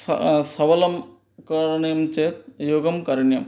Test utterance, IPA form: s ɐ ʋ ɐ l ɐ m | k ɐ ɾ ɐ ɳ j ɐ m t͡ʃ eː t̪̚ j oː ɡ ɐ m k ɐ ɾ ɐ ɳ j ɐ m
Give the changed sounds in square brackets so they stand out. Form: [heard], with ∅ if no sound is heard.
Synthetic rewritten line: s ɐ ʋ ɐ l ɐ m | k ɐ ɾ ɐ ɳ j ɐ m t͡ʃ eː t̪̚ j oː ɡ ɐ m k ɐ ɾ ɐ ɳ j ɐ m